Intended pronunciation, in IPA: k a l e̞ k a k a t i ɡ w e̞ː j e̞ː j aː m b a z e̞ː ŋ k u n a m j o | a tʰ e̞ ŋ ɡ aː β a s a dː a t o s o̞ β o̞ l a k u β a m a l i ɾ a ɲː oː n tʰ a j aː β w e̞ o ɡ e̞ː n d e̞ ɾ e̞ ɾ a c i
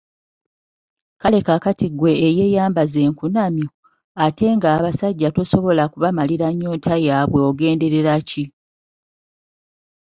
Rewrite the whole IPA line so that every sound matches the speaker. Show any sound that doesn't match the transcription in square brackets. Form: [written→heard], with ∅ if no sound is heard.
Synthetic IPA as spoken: k a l e̞ k a k a t i ɡ w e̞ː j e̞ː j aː m b a z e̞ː ŋ k u n a m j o | a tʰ e̞ ŋ ɡ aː β a s a [dː→ɟː] a t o s o̞ β o̞ l a k u β a m a l i ɾ a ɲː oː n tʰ a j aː β w e̞ o ɡ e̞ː n d e̞ ɾ e̞ ɾ a c i